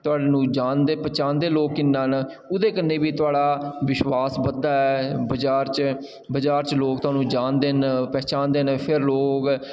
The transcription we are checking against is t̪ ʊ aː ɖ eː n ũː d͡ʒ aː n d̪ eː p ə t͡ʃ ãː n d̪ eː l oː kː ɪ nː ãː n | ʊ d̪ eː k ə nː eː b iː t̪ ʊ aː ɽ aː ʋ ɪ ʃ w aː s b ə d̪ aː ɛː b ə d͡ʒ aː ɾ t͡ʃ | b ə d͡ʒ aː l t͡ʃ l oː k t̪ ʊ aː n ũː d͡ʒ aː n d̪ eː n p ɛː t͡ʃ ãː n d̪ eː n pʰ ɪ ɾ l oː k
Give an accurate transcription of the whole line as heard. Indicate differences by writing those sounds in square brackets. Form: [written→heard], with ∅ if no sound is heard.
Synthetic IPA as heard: t̪ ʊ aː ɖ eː n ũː d͡ʒ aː n d̪ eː p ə t͡ʃ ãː n d̪ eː l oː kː ɪ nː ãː n | ʊ d̪ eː k ə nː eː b iː t̪ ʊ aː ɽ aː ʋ ɪ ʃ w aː s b ə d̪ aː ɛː b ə d͡ʒ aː ɾ t͡ʃ | b ə d͡ʒ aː [l→ɾ] t͡ʃ l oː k t̪ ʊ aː n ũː d͡ʒ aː n d̪ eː n p ɛː t͡ʃ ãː n d̪ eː n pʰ ɪ ɾ l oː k